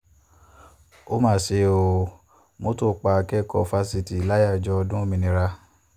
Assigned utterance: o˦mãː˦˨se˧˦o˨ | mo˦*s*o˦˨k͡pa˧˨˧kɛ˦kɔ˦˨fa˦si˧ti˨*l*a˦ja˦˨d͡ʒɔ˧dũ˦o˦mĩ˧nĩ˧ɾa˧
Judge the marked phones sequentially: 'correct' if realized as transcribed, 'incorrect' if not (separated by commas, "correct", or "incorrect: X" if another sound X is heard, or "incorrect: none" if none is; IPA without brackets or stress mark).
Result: incorrect: t, correct